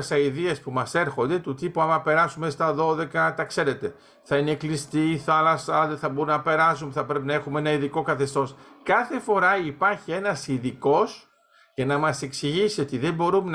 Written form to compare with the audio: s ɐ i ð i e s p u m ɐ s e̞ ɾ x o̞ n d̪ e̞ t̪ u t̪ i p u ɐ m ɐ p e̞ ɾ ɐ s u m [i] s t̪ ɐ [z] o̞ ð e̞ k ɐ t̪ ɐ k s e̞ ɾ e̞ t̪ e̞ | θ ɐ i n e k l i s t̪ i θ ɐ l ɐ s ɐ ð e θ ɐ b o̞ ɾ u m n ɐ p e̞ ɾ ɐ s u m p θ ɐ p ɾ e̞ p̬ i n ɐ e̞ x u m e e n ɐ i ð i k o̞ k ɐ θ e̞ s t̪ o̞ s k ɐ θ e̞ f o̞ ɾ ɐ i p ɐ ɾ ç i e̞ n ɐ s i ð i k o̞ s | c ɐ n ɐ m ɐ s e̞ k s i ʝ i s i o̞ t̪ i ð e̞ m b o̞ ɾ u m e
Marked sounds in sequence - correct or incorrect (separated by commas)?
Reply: incorrect, incorrect